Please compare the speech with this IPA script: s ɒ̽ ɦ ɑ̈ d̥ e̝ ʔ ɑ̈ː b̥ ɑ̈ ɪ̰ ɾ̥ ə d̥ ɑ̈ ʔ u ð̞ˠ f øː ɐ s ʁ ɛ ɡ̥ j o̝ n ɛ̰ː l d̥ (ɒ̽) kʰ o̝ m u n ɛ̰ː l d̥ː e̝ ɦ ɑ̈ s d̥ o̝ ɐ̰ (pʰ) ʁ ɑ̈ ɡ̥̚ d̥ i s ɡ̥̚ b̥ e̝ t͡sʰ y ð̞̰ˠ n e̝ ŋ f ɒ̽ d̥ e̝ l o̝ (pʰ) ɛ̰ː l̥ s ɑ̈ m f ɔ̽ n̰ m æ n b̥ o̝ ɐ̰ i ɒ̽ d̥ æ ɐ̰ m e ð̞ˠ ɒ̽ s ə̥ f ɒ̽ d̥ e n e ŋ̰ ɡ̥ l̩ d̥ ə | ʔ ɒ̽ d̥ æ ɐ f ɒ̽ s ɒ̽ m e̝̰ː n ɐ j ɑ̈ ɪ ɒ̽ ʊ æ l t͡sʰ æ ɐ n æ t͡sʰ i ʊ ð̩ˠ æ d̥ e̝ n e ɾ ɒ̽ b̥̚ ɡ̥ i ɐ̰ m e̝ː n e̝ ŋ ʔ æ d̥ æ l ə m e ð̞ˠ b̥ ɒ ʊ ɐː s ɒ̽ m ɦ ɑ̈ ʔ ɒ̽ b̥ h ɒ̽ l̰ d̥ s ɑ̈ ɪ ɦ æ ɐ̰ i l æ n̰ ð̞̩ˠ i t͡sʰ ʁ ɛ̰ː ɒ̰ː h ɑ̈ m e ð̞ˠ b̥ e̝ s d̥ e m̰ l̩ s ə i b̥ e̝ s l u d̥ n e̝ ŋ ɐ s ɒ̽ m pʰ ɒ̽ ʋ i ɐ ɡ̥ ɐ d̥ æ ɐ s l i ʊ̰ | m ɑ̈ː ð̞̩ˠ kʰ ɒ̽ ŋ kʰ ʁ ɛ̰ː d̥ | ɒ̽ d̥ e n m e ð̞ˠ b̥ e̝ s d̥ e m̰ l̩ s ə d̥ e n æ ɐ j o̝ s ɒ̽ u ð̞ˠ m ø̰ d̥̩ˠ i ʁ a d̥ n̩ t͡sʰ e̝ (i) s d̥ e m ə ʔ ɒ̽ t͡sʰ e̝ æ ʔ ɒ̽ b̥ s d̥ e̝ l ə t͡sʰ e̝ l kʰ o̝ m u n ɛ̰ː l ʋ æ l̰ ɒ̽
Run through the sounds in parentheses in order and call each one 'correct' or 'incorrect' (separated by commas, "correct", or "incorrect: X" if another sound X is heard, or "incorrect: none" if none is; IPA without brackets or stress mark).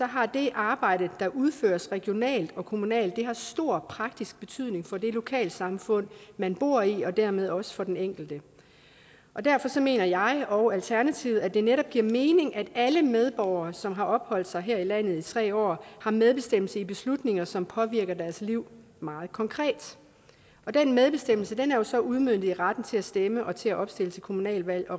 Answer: correct, correct, incorrect: kʰ, incorrect: æ